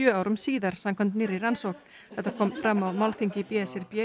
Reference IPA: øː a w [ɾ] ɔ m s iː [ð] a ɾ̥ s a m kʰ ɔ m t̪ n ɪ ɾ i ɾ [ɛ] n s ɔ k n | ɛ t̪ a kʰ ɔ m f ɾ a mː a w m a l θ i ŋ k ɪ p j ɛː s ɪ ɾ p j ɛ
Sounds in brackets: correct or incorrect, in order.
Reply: correct, correct, incorrect

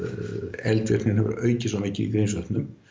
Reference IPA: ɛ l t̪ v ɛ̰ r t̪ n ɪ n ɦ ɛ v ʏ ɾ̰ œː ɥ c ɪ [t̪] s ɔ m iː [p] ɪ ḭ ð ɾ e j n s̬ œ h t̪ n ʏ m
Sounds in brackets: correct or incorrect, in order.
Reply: incorrect, incorrect

